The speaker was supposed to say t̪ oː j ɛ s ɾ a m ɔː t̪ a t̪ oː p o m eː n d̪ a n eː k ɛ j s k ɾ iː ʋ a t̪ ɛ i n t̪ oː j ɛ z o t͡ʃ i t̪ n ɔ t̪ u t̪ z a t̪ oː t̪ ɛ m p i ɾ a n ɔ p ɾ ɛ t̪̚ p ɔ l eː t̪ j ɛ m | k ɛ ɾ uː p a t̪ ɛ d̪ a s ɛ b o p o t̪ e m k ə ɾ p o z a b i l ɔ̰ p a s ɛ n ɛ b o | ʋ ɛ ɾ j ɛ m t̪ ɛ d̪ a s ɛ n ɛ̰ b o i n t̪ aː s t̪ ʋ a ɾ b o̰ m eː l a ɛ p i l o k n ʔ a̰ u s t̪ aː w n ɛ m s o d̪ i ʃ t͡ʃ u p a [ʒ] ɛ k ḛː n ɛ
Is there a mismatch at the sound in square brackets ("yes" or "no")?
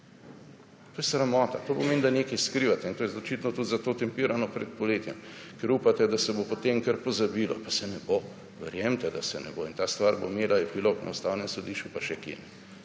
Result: yes